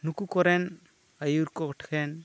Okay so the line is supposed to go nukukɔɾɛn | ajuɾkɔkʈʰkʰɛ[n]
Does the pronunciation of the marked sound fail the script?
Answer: no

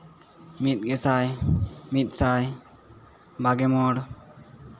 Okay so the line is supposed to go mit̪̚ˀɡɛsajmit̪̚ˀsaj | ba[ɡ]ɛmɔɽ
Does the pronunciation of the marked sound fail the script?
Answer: no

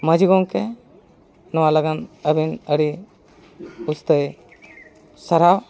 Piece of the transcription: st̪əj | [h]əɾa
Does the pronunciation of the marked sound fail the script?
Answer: yes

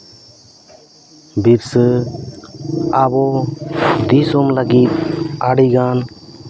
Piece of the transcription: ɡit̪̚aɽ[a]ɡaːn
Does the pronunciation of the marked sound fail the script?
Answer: yes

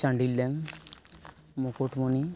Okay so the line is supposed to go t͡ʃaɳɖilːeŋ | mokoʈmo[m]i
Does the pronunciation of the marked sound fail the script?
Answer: yes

